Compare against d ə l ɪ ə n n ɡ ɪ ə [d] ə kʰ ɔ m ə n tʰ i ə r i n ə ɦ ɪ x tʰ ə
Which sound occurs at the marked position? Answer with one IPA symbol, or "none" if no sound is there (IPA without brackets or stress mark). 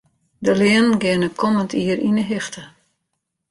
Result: n